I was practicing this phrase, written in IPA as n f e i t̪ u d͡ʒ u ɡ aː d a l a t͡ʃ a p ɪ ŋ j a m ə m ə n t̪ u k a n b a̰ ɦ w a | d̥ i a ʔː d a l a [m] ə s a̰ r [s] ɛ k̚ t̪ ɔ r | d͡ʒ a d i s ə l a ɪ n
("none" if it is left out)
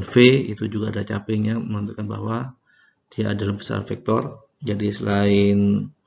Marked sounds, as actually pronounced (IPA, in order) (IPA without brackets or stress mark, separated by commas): b, f